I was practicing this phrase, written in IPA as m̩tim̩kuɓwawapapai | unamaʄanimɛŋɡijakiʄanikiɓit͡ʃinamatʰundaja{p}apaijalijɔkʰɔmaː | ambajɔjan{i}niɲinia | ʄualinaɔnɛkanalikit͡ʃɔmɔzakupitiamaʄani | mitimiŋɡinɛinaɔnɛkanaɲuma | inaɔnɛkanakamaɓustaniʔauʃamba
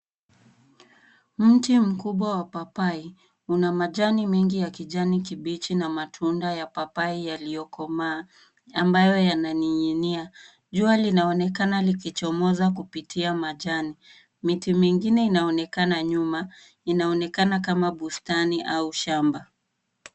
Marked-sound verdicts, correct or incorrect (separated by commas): correct, incorrect